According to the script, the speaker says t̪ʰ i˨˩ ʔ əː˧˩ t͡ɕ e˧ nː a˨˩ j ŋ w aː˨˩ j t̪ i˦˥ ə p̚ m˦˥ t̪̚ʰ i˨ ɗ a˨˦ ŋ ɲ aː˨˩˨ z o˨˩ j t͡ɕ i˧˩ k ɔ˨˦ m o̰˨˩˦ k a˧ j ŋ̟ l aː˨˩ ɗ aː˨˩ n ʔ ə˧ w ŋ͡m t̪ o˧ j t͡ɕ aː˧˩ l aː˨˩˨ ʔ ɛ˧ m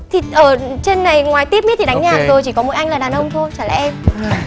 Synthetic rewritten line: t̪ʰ i˨˩ ʔ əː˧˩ t͡ɕ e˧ nː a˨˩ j ŋ w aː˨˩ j t̪ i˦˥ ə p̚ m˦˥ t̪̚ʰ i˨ ɗ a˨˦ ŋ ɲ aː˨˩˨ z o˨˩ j t͡ɕ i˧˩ k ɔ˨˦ m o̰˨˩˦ ʔ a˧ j ŋ̟ l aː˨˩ ɗ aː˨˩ n ʔ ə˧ w ŋ͡m t̪ʰ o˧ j t͡ɕ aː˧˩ l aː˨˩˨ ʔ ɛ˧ m